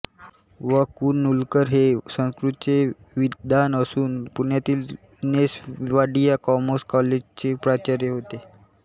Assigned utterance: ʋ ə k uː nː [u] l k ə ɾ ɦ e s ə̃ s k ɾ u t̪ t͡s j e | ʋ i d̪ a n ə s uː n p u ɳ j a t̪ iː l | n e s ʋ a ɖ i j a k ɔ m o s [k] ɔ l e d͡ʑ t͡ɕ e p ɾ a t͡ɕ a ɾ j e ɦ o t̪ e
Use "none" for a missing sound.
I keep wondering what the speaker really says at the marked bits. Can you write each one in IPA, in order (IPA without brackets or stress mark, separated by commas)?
u, k